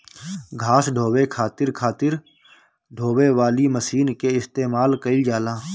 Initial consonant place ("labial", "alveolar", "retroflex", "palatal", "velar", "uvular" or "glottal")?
velar